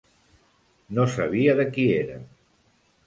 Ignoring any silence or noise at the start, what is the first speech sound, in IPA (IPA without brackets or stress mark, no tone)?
n